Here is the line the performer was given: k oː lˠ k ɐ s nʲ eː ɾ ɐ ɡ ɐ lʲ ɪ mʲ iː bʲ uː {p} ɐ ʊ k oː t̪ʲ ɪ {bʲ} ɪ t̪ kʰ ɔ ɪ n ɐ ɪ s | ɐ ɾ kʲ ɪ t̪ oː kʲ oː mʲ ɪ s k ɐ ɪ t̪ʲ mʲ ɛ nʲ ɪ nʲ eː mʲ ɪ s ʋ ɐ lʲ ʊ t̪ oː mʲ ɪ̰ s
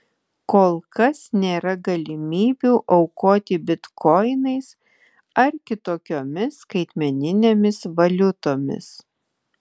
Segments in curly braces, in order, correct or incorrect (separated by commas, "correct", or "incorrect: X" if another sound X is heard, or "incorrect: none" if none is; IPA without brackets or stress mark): incorrect: ʔ, correct